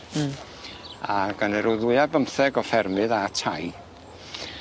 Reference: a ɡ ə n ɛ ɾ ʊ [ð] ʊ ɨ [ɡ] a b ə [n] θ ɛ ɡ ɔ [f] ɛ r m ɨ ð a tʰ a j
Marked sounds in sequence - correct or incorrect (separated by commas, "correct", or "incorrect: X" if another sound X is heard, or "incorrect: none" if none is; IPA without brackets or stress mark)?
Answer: correct, incorrect: none, incorrect: m, correct